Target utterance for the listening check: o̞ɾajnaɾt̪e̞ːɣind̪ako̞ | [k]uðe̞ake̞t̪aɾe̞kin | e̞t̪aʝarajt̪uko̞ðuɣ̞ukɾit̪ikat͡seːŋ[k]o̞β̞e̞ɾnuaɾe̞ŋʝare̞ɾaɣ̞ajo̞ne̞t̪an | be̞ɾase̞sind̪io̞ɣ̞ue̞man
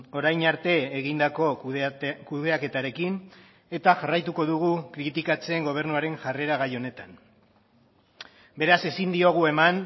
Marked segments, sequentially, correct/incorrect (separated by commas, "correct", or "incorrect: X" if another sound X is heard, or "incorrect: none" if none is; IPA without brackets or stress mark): correct, incorrect: ɡ